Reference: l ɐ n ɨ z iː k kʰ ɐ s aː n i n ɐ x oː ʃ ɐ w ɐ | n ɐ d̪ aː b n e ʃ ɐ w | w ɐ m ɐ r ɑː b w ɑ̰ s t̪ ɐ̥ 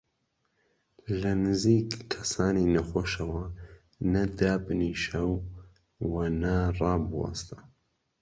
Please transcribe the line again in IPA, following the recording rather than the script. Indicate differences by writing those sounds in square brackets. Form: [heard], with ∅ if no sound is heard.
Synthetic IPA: l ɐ n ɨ z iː k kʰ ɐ s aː n i n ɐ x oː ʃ ɐ w ɐ | n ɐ d̪ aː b n [i] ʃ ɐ w | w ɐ [n] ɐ r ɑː b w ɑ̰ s t̪ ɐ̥